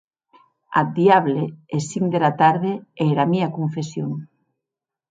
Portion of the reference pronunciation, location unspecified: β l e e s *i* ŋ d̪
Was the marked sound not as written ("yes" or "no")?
no